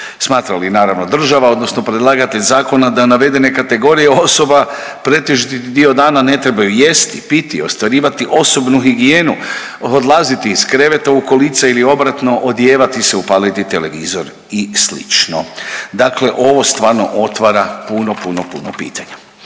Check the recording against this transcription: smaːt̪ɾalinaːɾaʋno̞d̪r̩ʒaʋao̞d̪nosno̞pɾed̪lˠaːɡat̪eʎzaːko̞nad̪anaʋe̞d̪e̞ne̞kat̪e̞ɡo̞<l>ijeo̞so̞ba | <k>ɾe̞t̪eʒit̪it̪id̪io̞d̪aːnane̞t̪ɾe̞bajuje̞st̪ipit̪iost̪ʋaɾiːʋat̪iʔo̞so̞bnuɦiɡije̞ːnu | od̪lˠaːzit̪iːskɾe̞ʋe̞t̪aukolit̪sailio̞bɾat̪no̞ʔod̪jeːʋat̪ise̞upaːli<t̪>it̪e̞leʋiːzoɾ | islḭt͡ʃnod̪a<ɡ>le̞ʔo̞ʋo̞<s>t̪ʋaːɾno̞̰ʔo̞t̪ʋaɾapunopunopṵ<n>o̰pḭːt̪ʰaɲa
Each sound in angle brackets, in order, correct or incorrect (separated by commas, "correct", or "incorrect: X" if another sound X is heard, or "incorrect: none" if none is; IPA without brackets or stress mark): incorrect: ɾ, incorrect: p, correct, incorrect: k, correct, correct